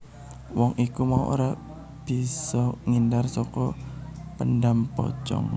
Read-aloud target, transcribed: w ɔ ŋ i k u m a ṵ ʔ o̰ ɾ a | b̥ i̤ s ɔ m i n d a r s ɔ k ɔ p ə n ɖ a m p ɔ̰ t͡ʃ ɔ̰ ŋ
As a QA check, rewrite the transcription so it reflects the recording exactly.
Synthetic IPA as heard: w ɔ ŋ i k u m a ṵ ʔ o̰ ɾ a | b̥ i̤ s ɔ ŋ i n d a r s ɔ k ɔ p ə n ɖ a m p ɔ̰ t͡ʃ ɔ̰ ŋ

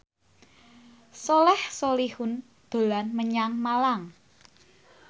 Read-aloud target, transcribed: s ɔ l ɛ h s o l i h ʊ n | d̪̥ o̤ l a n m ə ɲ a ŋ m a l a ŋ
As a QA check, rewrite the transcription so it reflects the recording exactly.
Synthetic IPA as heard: s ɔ l ɛ h s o l i h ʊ n | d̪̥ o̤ l a n m ə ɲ a ŋ m a l a ŋ

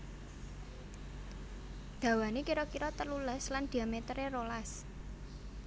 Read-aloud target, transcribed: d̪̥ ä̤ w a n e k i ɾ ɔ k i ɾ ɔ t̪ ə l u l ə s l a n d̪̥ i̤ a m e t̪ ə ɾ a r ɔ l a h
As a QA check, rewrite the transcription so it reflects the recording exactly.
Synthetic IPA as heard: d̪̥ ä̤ w a n e k i ɾ ɔ k i ɾ ɔ t̪ ə l u l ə s l a n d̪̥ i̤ a m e t̪ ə ɾ e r o l a s

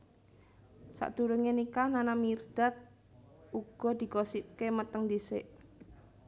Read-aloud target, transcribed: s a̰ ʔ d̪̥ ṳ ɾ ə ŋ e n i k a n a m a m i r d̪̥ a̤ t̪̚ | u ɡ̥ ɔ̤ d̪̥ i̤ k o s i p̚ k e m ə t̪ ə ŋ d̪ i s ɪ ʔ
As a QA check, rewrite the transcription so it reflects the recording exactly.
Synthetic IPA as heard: s a̰ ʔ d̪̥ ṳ ɾ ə ŋ e n i k a n a n a m i r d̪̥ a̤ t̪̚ | u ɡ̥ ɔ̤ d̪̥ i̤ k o s i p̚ k e m ə t̪ ə ŋ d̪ i s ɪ ʔ

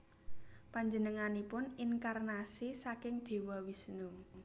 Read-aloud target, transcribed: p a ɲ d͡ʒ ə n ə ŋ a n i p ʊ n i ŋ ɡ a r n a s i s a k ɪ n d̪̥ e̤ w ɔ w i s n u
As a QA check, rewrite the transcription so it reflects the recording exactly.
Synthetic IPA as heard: p a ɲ d͡ʒ ə n ə ŋ a n i p ʊ n i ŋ k a r n a s i s a k ɪ ŋ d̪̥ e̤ w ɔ w i s n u

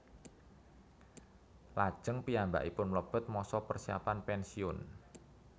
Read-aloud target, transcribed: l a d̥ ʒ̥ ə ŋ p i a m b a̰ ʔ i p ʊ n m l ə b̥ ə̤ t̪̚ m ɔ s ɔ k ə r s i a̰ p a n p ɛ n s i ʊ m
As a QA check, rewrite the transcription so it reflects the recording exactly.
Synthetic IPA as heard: l a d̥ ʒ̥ ə ŋ p i a m b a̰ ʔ i p ʊ n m l ə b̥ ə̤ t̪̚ m ɔ s ɔ p ə r s i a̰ p a n p ɛ n s i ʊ n

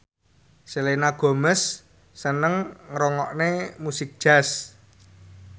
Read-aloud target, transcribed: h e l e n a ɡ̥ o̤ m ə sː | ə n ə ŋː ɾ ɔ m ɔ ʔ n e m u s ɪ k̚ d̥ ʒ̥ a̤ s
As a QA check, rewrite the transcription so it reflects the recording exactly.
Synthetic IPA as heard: s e l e n a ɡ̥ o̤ m ə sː | ə n ə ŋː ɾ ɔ ŋ ɔ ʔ n e m u s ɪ k̚ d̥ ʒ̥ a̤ s

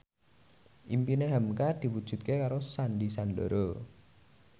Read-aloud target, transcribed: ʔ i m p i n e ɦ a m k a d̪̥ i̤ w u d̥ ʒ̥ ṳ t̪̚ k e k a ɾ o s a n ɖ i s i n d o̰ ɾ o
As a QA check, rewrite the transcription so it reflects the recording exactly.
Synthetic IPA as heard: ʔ i m p i n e ɦ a m k a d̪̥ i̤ w u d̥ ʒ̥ ṳ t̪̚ k e k a ɾ o s a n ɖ i s a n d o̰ ɾ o

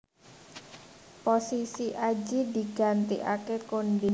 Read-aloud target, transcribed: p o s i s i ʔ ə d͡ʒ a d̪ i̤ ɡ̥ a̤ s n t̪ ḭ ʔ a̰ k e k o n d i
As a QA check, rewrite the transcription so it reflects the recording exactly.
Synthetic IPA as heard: p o s i s i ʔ a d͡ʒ i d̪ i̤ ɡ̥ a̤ n t̪ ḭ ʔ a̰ k e k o n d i

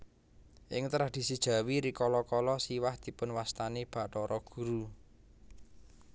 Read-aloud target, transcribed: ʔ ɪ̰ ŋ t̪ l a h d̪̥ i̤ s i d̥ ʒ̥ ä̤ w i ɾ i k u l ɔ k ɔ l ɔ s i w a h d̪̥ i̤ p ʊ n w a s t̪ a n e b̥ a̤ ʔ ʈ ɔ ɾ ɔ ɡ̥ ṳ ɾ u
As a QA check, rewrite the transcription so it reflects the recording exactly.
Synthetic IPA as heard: ʔ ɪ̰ ŋ t̪ ɾ a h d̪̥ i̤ s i d̥ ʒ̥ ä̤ w i ɾ i k ɔ l ɔ k ɔ l ɔ s i w a h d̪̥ i̤ p ʊ n w a s t̪ a n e b̥ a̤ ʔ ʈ ɔ ɾ ɔ ɡ̥ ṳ ɾ u

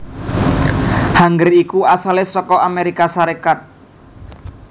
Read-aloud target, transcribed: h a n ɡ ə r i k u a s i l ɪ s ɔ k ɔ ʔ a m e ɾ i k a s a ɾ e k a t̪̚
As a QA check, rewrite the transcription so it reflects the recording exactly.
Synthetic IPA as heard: h a ŋ ɡ ə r i k u a s a l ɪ s ɔ k ɔ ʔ a m e ɾ i k a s a ɾ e k a t̪̚

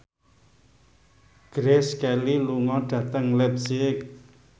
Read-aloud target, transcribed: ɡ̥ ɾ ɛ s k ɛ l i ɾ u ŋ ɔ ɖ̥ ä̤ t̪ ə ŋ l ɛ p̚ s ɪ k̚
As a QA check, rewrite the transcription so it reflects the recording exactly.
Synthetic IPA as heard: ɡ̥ ɾ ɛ s k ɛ l i l u ŋ ɔ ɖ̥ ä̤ t̪ ə ŋ l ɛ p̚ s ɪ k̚

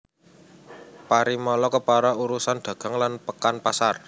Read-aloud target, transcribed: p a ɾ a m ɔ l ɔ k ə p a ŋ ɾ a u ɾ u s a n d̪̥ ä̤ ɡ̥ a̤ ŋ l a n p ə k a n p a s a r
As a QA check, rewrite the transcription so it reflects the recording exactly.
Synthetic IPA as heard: p a ɾ i m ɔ l ɔ k ə p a ɾ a u ɾ u s a n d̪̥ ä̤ ɡ̥ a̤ ŋ l a n p ə k a n p a s a r

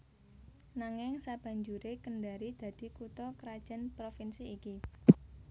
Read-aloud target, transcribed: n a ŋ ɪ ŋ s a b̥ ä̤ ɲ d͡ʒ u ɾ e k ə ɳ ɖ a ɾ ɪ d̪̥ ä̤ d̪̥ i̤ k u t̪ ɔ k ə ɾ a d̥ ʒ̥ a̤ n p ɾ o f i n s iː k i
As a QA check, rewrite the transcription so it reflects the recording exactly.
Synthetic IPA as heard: n a ŋ ɪ ŋ s a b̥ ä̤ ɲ d͡ʒ u ɾ e k ə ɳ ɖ a ɾ i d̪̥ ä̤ d̪̥ i̤ k u t̪ ɔ k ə ɾ a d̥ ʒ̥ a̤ n p ɾ o f i n s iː k i

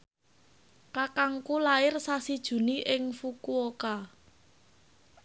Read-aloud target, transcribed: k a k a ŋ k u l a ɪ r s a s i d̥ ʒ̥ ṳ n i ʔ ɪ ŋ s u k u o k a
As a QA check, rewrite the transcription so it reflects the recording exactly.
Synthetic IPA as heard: k a k a ŋ k u l a ɪ r s a s i d̥ ʒ̥ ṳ n i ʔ ɪ ŋ f u k u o k a

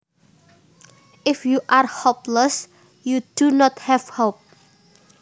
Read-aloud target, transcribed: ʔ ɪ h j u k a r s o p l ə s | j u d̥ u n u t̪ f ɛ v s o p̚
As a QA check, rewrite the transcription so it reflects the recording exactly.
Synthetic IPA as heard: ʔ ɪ f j u ʔ a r h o p l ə s | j u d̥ u n ɔ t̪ h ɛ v h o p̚

